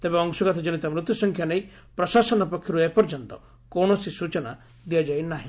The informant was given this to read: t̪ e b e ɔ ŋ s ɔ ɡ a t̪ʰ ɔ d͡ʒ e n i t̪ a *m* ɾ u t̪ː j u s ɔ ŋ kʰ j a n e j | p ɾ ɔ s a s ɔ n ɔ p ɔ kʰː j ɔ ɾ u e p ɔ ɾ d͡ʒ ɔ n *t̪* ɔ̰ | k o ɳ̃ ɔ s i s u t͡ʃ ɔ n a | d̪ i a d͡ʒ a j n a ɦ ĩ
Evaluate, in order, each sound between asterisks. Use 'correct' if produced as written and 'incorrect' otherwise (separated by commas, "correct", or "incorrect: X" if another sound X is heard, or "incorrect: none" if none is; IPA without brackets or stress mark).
correct, correct